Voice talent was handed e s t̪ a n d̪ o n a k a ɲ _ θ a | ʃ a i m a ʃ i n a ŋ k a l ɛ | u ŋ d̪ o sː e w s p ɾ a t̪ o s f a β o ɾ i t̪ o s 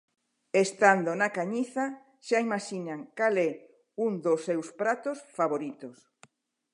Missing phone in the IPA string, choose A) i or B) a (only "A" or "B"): A